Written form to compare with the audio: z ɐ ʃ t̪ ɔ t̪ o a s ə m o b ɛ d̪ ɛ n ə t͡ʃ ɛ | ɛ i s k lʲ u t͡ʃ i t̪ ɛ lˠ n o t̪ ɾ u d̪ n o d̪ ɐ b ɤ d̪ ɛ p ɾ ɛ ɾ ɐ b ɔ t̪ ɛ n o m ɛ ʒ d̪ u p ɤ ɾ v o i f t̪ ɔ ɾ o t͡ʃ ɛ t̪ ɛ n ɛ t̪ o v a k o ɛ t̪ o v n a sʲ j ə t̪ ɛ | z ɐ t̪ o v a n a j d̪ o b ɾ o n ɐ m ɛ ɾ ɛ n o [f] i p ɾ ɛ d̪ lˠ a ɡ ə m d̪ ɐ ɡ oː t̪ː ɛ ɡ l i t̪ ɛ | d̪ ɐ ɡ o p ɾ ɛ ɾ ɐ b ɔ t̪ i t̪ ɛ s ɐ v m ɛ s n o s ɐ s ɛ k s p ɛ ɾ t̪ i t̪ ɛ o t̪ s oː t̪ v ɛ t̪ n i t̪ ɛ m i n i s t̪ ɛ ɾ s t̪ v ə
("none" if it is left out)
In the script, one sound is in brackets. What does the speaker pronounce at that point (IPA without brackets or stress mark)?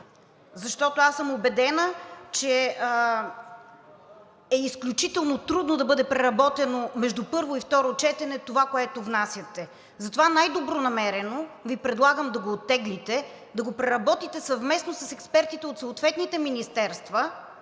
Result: v